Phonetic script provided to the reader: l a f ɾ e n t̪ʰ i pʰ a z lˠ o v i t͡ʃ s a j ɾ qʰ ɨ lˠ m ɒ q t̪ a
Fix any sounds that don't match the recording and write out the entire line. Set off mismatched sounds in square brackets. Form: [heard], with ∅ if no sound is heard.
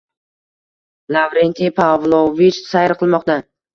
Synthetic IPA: l a [v] ɾ e n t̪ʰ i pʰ a [v] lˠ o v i t͡ʃ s a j ɾ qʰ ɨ lˠ m ɒ q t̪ a

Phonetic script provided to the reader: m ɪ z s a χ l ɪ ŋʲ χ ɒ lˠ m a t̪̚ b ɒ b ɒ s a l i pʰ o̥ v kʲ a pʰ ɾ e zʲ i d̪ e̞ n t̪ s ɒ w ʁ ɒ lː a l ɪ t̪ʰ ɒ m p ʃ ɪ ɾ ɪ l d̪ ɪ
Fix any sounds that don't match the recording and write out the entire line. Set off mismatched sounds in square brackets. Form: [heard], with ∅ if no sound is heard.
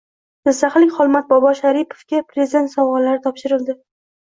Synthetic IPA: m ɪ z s a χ l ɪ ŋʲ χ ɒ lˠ m a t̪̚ b ɒ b ɒ [ʃ] a [ɾ] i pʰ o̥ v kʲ a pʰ ɾ e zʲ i d̪ e̞ n t̪ s ɒ w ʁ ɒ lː a [ɾ] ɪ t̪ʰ ɒ [∅] p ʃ ɪ ɾ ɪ l d̪ ɪ

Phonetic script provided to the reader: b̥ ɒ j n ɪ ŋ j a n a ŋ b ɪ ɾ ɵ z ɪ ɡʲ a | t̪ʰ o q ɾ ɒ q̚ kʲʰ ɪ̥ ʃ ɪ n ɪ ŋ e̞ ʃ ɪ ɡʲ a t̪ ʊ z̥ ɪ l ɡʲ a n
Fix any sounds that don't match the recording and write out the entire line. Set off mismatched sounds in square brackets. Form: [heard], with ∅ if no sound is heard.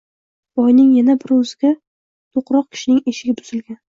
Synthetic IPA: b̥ ɒ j n ɪ ŋ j a n a [∅] b ɪ ɾ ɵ z ɪ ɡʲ a | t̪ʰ o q ɾ ɒ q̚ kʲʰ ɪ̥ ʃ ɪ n ɪ ŋ e̞ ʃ ɪ ɡʲ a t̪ ʊ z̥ ɪ l ɡʲ a n

